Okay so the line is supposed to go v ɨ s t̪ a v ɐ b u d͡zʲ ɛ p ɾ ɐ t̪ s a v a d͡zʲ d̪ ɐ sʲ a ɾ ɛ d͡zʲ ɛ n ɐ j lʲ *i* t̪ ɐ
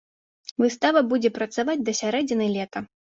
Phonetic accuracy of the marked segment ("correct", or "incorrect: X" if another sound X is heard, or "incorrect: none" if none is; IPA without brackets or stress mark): incorrect: ɛ